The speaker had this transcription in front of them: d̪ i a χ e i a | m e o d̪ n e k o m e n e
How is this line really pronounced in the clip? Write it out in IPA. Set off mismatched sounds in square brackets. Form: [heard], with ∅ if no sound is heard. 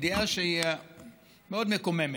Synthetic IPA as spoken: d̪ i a [ʃ] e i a | m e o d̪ [m] e k o m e [m] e